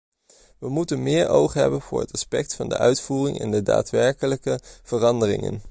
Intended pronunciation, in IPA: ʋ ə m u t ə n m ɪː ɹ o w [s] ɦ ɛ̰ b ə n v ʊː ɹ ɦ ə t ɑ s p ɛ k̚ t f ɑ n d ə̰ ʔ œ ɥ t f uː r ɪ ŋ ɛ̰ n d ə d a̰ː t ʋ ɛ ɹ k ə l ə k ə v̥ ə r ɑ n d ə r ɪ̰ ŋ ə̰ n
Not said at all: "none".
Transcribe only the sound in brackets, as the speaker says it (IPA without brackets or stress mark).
χ